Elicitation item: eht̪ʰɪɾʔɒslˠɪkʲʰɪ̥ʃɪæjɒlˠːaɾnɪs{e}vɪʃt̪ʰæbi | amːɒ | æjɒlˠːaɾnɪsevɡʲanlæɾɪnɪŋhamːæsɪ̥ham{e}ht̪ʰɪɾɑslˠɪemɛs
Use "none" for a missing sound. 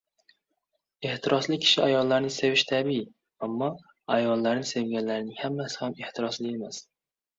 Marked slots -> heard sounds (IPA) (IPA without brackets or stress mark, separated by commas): e, e